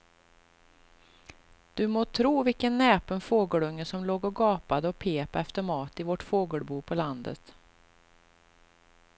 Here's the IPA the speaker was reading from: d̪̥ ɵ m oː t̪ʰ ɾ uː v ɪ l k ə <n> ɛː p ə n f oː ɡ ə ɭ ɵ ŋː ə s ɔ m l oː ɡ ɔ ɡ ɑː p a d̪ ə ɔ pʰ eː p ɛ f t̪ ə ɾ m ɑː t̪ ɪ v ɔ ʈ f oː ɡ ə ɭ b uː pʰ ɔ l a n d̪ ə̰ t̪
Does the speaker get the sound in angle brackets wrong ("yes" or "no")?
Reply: yes